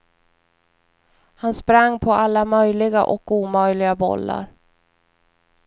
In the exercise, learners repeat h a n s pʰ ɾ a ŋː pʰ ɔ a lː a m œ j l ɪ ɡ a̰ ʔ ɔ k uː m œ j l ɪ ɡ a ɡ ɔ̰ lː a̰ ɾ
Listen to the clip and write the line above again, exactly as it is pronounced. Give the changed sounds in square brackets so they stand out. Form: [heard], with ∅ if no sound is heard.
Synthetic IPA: h a n s [p] ɾ a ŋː pʰ ɔ a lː a m œ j l ɪ ɡ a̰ ʔ ɔ k uː m œ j l ɪ ɡ a [b] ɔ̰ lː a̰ ɾ